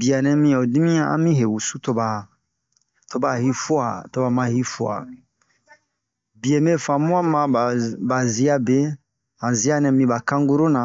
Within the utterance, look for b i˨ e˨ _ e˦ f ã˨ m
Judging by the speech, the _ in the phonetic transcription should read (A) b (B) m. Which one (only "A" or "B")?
B